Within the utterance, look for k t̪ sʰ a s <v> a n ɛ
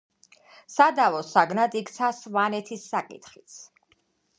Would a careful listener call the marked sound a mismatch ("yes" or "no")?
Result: no